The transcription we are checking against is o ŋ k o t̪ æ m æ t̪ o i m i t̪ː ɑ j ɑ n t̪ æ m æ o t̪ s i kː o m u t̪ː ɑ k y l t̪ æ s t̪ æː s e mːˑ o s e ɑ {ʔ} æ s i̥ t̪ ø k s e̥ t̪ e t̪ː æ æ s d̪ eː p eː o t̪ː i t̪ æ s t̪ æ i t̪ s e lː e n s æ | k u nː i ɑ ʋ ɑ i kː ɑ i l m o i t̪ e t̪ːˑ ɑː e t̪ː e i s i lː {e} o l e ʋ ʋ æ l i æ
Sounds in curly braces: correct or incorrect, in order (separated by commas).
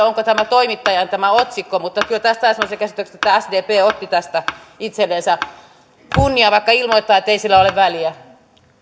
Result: incorrect, incorrect